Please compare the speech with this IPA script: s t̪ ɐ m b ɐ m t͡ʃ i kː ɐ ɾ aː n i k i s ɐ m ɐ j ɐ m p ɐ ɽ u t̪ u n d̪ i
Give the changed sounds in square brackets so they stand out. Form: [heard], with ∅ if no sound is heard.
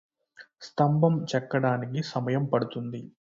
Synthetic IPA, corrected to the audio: s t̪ ɐ m b ɐ m t͡ʃ [ɛ] kː ɐ [ɽ] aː n i k i s ɐ m ɐ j ɐ m p ɐ ɽ u t̪ u n d̪ i